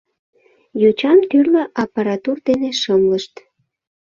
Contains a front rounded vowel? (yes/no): yes